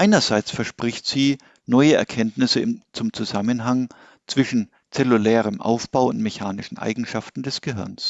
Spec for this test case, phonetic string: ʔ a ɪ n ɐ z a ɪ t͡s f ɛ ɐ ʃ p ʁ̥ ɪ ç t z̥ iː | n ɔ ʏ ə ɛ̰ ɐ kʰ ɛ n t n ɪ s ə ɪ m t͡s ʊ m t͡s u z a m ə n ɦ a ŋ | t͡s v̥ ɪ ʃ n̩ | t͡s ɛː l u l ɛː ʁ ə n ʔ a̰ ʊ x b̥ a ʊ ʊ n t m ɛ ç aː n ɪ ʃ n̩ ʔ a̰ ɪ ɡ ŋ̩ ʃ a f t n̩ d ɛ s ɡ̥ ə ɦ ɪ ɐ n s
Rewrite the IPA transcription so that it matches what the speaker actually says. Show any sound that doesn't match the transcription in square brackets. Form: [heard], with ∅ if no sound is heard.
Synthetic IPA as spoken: ʔ a ɪ n ɐ z a ɪ t͡s f ɛ ɐ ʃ p ʁ̥ ɪ ç t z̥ iː | n ɔ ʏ ə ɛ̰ ɐ kʰ ɛ n t n ɪ s ə ɪ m t͡s ʊ m t͡s u z a m ə n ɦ a ŋ | t͡s v̥ ɪ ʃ n̩ | t͡s [ɛ] l u l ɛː ʁ ə [m] ʔ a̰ ʊ [f] b̥ a ʊ ʊ n t m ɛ ç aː n ɪ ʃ n̩ ʔ a̰ ɪ ɡ ŋ̩ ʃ a f t n̩ d ɛ s ɡ̥ ə ɦ ɪ ɐ n s